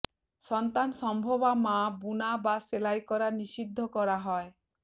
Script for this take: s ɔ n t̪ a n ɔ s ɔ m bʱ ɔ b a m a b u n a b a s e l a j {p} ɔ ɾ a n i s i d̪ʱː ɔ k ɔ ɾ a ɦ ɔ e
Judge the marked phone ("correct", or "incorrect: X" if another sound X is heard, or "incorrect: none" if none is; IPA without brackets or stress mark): incorrect: k